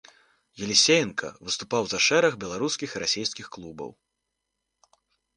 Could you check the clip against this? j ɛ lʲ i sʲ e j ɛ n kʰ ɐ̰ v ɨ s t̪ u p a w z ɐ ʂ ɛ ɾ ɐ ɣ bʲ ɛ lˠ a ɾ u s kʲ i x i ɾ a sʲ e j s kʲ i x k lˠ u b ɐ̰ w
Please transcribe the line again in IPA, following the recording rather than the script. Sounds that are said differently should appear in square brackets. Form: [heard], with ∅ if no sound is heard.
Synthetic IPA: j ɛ lʲ i sʲ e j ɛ n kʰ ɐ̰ v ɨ s t̪ u p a w z ɐ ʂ ɛ ɾ ɐ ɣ bʲ ɛ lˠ a ɾ u s kʲ i x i ɾ a sʲ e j s kʲ i x k lˠ u b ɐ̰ w